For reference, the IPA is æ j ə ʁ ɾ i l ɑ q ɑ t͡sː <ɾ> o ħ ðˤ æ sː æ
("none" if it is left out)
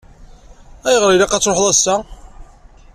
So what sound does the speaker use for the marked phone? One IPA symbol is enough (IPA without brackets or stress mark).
ɾ